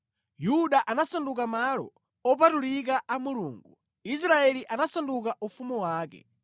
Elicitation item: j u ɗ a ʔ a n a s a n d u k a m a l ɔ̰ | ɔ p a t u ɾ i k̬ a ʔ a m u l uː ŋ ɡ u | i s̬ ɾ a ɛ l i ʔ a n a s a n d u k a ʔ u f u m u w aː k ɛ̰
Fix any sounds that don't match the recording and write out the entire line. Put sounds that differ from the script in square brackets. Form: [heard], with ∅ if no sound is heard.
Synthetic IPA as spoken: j u ɗ a ʔ a n a s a n d u k a m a l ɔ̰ | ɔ p a t u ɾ i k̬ a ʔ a m u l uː ŋ ɡ u | i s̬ ɾ a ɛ l i ʔ a n a s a n d u k a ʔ u f u m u w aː k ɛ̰